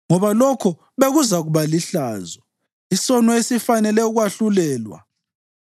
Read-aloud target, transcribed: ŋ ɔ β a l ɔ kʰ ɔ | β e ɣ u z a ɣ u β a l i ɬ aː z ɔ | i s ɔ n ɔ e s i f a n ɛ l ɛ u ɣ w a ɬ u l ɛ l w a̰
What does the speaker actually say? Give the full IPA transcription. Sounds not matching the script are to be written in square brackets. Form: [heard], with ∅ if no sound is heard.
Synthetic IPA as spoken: ŋ ɔ β a l ɔ kʰ ɔ | β e ɣ u z a ɣ u β a l i ɬ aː z ɔ | i s ɔ n ɔ e s i f a n ɛ l ɛ u ɣ w a ɬ u l [ɛː] l w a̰